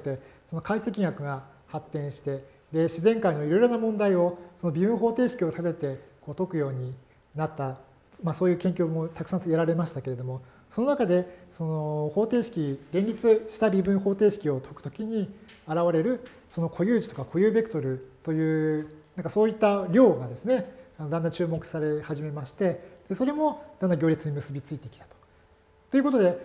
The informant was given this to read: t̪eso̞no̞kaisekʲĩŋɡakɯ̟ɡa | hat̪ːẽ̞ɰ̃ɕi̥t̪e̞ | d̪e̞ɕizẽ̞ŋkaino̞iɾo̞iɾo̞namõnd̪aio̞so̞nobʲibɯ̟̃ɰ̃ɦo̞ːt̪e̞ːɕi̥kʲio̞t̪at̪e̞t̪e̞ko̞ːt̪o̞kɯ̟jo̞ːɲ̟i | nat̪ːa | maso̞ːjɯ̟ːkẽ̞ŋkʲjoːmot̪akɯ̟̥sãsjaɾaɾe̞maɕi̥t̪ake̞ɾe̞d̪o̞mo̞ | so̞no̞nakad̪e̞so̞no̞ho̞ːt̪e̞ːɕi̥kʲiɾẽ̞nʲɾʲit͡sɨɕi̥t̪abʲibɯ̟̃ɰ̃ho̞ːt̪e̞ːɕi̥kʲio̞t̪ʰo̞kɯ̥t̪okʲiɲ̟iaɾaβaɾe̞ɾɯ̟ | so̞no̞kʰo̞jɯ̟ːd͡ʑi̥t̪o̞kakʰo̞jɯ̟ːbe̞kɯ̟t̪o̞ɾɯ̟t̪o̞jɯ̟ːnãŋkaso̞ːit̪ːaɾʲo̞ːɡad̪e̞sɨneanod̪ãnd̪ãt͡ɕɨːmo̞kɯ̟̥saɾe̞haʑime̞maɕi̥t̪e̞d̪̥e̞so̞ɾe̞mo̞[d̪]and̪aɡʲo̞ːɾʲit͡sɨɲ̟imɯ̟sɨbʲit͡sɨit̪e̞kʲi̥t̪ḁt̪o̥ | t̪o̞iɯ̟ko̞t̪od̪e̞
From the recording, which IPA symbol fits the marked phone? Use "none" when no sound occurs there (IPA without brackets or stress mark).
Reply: d̪